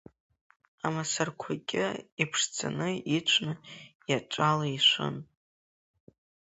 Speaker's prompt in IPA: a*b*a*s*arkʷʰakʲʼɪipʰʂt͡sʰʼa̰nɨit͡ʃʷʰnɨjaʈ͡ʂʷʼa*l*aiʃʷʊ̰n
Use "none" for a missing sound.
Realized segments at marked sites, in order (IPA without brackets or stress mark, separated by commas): m, s, l